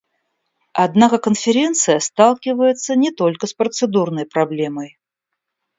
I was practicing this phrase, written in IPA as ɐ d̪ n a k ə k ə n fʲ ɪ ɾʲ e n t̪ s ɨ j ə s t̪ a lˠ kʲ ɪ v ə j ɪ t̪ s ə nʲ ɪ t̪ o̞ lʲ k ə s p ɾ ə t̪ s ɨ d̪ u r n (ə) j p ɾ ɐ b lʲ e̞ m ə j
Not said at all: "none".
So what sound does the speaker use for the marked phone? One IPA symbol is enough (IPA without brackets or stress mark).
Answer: ə